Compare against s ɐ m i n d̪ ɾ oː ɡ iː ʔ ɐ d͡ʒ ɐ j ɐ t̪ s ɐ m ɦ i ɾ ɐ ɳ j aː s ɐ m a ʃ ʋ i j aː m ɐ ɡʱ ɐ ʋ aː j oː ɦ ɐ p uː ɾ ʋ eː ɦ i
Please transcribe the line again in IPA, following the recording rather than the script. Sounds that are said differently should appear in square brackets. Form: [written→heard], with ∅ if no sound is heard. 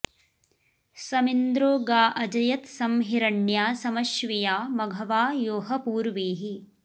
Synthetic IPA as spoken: s ɐ m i n d̪ ɾ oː ɡ [iː→aː] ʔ ɐ d͡ʒ ɐ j ɐ t̪ s ɐ m ɦ i ɾ ɐ ɳ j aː s ɐ m [a→ɐ] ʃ ʋ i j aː m ɐ ɡʱ ɐ ʋ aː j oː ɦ ɐ p uː ɾ ʋ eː ɦ i